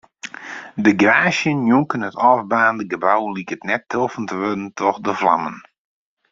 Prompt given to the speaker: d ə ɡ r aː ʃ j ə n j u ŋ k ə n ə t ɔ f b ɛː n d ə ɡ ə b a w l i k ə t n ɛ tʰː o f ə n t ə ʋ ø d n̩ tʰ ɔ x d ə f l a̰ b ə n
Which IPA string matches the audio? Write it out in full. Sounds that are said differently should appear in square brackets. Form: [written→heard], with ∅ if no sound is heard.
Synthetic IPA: d ə ɡ r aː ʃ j ə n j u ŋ k ə n ə t ɔ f b [ɛː→aː] n d ə ɡ ə b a w l i k ə t n ɛ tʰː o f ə n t ə ʋ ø d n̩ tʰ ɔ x d ə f l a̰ [b→m] ə n

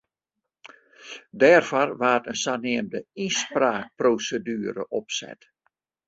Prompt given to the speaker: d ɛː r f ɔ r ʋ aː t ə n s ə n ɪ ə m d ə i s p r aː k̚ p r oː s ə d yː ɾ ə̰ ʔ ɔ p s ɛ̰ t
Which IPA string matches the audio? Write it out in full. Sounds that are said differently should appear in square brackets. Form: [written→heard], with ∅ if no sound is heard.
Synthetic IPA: d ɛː r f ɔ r ʋ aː t ə n s [ə→a] n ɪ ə m d ə i s p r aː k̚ p r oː s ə d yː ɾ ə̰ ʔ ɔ p s ɛ̰ t

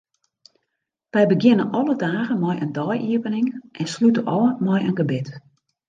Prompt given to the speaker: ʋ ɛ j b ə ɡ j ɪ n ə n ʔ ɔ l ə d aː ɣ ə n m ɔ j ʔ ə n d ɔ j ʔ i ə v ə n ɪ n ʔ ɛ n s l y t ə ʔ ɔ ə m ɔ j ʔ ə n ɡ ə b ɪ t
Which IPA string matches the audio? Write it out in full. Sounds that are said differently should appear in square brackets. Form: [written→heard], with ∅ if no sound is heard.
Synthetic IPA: ʋ ɛ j b ə ɡ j ɪ n ə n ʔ ɔ l ə d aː ɣ ə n m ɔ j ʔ ə n d ɔ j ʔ i ə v ə n ɪ [n→ŋ] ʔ ɛ n s l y t ə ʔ ɔ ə m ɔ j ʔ ə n ɡ ə b ɪ t

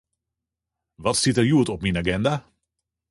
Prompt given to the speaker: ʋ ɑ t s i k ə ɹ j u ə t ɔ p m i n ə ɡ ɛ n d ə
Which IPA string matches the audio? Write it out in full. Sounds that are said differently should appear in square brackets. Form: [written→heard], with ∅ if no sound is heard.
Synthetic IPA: ʋ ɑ t s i [k→t] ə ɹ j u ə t ɔ p m i n [ə→a] ɡ ɛ n d [ə→a]

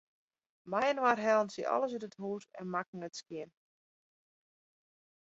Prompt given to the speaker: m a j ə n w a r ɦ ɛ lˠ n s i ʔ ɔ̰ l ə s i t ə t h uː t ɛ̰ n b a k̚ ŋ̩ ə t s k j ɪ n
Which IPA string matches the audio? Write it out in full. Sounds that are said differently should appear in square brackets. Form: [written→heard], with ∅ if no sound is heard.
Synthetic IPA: m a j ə n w a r ɦ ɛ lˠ n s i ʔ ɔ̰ l ə s [i→y] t ə t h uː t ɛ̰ n [b→m] a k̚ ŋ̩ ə t s k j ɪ n

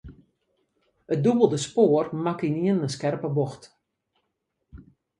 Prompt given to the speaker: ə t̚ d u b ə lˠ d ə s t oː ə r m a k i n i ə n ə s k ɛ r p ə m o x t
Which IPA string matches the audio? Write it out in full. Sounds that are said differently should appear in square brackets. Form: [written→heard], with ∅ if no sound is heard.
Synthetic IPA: ə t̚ d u b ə lˠ d ə s [t→p] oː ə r m a k i n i ə n ə s k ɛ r p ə [m→b] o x t

